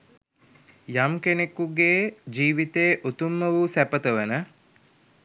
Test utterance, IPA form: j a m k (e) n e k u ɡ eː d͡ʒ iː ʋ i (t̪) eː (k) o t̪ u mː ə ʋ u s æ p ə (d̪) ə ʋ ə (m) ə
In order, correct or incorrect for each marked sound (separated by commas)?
correct, correct, incorrect, incorrect, incorrect